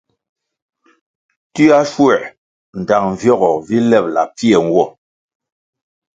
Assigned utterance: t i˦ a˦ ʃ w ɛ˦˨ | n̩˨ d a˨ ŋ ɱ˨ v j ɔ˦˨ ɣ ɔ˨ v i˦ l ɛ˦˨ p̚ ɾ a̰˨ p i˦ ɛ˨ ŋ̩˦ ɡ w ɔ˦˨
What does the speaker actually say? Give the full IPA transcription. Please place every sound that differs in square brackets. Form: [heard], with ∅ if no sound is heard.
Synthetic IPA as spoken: t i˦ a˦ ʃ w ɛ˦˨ | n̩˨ d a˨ ŋ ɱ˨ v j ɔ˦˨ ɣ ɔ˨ v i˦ l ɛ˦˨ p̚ [l] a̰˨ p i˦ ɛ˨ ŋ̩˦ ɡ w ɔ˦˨